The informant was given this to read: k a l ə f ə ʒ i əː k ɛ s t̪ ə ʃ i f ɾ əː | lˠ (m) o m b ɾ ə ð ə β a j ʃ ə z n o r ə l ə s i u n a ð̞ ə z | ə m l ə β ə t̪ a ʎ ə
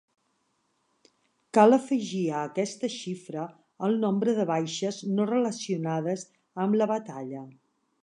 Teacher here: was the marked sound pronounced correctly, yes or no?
no